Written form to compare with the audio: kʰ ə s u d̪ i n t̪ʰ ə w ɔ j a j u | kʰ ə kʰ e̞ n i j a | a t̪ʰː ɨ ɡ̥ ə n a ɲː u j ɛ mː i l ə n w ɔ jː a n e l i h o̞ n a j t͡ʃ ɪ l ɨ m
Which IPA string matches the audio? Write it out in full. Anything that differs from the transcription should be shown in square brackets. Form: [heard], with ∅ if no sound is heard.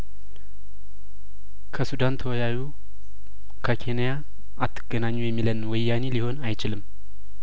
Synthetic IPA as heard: kʰ ə s u d̪ [a] n t̪ʰ ə w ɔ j a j u | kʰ ə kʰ e̞ n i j a | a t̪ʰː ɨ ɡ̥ ə n a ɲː u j ɛ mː i l ə n w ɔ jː a n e l i h o̞ n a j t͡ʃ ɪ l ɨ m